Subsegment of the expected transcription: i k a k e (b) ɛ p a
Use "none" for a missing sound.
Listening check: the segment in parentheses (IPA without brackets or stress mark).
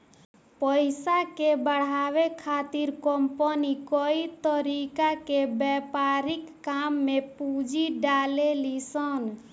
b